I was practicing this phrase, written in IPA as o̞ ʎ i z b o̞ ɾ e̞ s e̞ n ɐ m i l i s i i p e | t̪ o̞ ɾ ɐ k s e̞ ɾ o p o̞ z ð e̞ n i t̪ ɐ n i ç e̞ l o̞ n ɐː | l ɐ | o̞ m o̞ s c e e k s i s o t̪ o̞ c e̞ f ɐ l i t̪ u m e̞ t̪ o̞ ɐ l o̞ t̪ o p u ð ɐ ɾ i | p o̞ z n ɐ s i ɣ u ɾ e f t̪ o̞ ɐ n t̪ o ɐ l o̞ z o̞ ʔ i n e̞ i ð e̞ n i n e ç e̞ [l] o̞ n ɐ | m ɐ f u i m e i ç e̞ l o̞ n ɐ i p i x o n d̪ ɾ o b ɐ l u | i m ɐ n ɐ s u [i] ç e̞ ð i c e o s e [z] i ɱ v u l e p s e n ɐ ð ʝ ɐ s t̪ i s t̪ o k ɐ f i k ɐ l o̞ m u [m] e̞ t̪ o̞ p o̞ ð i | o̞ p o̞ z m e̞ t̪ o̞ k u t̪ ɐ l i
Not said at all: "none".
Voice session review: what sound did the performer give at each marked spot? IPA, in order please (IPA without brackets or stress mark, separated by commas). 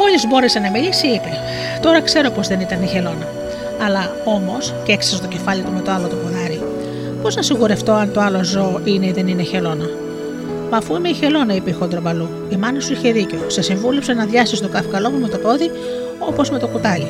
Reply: l, i, s, m